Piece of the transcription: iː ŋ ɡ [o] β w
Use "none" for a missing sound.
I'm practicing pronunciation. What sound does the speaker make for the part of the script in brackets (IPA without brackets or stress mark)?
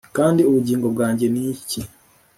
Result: o